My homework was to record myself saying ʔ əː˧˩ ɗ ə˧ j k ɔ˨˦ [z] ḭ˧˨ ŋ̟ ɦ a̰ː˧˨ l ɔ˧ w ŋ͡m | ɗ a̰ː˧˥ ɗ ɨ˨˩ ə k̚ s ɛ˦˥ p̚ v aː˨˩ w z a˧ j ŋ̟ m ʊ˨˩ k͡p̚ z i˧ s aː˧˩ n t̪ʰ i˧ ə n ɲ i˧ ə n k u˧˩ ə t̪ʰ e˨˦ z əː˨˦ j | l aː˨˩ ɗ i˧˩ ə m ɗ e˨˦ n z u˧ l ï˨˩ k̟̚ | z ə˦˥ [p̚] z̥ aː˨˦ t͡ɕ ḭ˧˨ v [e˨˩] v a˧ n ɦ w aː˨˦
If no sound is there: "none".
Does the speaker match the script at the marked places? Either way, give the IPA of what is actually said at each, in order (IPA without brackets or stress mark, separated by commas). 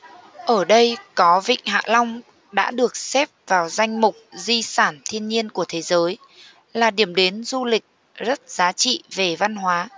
v, t̚, e˨˩